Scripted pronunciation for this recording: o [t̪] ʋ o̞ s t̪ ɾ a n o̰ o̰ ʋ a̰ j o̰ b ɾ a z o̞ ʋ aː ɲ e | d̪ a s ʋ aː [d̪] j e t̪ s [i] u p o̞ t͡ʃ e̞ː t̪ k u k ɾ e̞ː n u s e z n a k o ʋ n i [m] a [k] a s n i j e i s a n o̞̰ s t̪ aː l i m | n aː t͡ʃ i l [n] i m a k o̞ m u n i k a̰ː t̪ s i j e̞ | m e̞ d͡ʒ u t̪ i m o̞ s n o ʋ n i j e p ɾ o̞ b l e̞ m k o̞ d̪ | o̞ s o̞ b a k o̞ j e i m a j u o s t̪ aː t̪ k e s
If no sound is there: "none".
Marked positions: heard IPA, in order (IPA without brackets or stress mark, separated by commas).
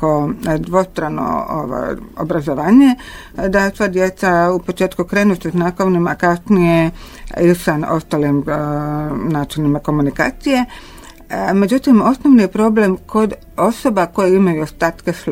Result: d̪, d̪, a, m, k, n